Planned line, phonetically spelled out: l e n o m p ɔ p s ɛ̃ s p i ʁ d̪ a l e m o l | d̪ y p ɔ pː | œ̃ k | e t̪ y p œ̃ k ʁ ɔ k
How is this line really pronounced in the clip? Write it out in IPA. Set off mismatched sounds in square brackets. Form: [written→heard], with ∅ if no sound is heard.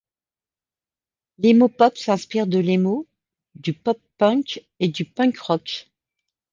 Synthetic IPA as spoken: l e [n→m] o [m→∅] p ɔ p s ɛ̃ s p i ʁ d̪ [a→ə] l e m o [l→∅] | d̪ y p ɔ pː | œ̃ k | e [t̪→d̪] y p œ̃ k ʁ ɔ k